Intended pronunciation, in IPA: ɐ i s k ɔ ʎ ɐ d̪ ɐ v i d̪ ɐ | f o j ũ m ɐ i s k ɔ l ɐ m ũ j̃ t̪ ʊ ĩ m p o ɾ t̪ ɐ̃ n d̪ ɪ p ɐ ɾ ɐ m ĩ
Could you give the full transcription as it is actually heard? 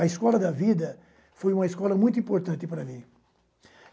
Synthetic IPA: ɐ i s k ɔ l ɐ d̪ ɐ v i d̪ ɐ | f o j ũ m ɐ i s k ɔ l ɐ m ũ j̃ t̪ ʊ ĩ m p o ɾ t̪ ɐ̃ n t̪ ɪ p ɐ ɾ ɐ m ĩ